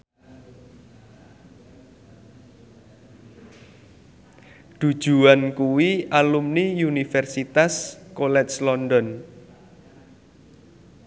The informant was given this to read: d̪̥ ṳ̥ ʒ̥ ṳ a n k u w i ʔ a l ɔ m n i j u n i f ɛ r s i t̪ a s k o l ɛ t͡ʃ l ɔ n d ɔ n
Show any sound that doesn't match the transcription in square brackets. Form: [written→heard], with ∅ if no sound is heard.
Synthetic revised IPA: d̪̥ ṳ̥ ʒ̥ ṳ a n k u w i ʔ a l [ɔ→u] m n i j u n i f ɛ r s i t̪ a s k o l ɛ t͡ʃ l ɔ n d ɔ n